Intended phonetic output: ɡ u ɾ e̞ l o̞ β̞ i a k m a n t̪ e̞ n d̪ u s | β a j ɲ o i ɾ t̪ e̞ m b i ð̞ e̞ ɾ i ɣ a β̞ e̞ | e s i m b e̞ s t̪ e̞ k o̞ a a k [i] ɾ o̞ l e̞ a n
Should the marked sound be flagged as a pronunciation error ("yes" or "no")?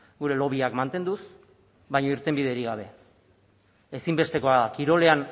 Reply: no